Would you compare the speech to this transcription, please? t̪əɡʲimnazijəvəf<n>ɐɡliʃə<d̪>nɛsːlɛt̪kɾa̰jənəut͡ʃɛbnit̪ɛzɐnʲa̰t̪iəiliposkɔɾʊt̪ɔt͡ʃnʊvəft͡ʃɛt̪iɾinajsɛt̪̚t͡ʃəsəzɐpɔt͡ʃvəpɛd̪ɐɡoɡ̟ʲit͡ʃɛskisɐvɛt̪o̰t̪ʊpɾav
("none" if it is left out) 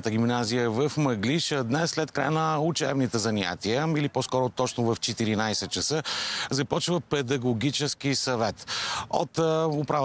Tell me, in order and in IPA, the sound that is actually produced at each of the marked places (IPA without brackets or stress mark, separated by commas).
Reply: m, d̪